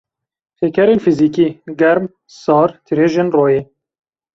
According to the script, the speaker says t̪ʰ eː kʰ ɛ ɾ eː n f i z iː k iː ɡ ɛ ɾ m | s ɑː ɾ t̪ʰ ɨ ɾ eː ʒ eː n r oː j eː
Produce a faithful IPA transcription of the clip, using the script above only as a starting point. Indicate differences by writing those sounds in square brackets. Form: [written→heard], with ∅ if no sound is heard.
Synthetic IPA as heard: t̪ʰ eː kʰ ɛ ɾ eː n f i z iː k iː ɡ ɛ ɾ m | s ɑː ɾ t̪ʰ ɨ ɾ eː ʒ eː n r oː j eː